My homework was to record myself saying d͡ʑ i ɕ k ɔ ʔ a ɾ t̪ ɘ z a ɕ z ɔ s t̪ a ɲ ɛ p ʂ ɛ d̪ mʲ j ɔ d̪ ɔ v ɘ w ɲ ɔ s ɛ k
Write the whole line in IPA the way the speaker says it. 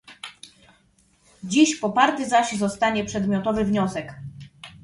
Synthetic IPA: d͡ʑ i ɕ p ɔ p a ɾ t̪ ɘ z a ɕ z ɔ s t̪ a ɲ ɛ p ʂ ɛ d̪ mʲ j ɔ t̪ ɔ v ɘ v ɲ ɔ s ɛ k